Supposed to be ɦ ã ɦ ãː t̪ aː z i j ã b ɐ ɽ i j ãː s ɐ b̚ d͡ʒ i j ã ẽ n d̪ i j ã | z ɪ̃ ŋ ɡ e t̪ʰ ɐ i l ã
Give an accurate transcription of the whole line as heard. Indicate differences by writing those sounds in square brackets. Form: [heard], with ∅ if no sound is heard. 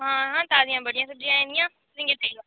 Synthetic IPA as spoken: ɦ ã ɦ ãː t̪ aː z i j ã b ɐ ɽ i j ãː s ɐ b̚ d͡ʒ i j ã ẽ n d̪ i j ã | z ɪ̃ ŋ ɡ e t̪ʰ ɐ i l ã